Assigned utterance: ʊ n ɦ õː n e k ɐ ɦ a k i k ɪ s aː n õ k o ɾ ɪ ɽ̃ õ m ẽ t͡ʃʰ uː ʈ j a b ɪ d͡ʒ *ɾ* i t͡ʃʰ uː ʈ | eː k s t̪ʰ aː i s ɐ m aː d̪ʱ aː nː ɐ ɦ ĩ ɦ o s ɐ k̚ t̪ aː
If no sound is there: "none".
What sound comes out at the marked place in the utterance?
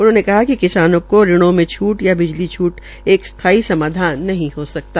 l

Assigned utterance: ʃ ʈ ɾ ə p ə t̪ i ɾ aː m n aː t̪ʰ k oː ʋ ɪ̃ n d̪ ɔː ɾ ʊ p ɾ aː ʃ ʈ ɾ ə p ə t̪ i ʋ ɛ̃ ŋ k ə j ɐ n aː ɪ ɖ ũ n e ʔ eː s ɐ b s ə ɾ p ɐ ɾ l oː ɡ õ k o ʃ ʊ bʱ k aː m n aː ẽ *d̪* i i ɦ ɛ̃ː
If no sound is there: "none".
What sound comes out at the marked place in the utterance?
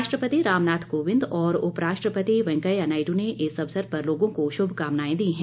d̪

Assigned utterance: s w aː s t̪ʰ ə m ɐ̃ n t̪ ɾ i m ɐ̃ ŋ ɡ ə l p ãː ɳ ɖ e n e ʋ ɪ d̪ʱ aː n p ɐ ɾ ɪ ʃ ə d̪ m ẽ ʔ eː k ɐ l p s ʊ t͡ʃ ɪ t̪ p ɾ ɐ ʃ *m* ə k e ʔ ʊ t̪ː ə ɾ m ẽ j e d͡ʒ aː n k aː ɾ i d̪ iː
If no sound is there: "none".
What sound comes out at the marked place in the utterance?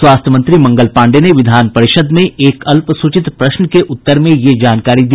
n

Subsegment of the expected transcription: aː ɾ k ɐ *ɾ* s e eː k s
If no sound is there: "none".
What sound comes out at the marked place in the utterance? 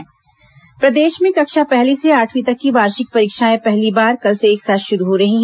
l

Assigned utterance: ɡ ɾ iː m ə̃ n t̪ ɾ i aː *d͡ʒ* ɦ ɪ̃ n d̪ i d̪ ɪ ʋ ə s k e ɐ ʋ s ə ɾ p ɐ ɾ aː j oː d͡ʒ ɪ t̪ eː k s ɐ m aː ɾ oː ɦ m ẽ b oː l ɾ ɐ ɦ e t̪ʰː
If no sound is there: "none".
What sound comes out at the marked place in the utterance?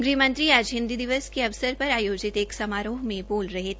d͡ʒ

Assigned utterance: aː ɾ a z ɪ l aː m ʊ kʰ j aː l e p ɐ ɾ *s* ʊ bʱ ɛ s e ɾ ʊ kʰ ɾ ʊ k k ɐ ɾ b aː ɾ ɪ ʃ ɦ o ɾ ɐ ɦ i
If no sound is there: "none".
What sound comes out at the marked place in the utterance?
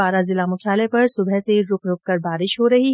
s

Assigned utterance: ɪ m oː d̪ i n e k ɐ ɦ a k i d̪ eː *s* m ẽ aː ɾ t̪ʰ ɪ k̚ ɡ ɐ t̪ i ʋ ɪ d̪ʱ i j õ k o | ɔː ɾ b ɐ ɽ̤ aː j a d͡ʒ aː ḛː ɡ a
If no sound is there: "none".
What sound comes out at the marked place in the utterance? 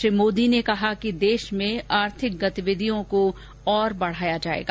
ʃ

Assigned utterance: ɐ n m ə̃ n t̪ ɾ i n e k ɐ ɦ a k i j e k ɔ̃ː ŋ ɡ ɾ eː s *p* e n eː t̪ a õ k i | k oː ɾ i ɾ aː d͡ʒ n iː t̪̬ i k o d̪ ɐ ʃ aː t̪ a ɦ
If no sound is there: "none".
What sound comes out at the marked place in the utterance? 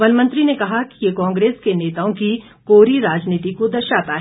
k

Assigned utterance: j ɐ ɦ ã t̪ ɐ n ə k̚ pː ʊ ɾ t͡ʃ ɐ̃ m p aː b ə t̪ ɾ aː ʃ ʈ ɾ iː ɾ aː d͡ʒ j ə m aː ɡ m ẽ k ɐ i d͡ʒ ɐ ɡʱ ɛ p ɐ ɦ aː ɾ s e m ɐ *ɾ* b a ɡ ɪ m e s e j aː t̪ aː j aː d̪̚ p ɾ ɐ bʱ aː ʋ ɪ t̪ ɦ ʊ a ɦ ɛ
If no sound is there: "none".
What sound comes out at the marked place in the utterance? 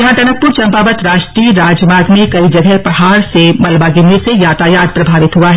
l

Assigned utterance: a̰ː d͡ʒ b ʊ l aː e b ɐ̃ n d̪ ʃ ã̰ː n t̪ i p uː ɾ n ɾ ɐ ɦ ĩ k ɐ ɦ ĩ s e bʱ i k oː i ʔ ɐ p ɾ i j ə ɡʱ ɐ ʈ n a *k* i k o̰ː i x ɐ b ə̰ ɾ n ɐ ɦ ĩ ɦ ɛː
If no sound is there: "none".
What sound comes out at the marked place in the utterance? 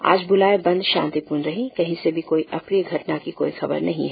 k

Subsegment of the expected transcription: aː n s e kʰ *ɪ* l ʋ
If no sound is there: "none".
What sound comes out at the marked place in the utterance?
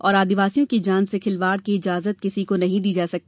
ɪ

